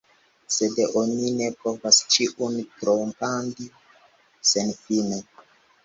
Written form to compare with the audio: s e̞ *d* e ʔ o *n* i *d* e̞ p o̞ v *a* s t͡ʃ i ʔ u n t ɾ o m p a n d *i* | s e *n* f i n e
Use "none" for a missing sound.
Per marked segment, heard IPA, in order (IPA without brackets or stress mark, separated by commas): d, n, n, a, i, n